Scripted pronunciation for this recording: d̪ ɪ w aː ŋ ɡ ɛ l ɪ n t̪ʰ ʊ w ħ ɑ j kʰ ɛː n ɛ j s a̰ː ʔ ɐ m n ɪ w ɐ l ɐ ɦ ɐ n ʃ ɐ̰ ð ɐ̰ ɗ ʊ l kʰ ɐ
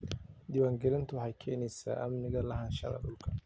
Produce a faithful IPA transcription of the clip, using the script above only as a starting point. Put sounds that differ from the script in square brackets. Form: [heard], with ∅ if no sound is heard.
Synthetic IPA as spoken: d̪ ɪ w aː ŋ ɡ ɛ l ɪ n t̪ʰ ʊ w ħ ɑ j kʰ ɛː n ɛ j s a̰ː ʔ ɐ m n ɪ [ɣ] ɐ l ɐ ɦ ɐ n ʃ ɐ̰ ð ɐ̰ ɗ ʊ l kʰ ɐ